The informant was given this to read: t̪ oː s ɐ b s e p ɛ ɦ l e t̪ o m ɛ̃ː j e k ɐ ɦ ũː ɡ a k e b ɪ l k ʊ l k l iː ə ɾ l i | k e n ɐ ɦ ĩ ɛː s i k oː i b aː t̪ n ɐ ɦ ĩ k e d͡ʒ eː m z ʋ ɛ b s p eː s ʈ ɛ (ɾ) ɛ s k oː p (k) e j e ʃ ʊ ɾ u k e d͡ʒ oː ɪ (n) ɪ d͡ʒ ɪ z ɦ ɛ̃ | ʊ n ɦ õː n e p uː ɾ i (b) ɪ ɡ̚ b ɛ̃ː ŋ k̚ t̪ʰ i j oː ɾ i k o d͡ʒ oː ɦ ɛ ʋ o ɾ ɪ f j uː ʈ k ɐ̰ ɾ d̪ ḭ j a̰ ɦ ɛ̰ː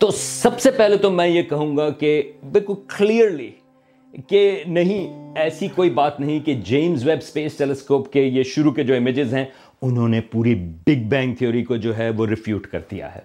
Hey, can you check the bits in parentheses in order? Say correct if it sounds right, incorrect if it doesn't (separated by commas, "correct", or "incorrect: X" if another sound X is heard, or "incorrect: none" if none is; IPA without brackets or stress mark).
incorrect: l, correct, incorrect: m, correct